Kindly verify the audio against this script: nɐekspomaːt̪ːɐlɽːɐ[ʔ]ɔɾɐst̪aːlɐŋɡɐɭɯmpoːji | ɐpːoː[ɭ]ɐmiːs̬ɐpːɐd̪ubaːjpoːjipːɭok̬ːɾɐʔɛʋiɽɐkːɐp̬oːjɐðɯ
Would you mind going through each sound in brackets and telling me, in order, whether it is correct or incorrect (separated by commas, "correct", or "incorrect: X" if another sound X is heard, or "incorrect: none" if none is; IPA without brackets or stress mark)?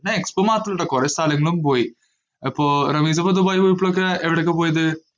incorrect: k, incorrect: ɾ